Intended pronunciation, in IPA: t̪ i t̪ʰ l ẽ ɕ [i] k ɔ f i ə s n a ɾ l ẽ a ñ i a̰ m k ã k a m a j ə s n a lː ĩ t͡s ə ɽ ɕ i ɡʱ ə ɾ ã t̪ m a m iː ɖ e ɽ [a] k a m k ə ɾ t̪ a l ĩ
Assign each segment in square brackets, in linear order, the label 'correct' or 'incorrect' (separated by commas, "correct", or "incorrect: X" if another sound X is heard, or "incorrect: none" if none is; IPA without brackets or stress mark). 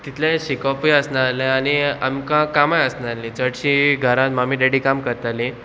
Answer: correct, incorrect: i